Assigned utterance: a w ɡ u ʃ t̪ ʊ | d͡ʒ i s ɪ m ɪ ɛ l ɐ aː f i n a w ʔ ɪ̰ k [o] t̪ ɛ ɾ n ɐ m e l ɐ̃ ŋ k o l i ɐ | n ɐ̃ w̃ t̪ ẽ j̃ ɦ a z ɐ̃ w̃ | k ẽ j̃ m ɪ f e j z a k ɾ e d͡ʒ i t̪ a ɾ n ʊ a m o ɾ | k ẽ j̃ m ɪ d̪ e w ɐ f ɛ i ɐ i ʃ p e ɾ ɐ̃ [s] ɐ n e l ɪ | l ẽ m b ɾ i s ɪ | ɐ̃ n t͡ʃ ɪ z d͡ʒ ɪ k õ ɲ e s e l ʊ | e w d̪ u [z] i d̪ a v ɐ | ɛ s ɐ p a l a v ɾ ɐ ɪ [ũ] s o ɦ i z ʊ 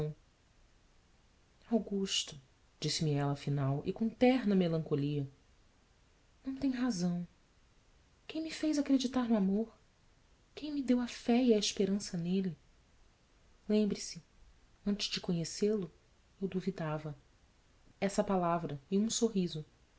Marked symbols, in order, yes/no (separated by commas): no, yes, no, yes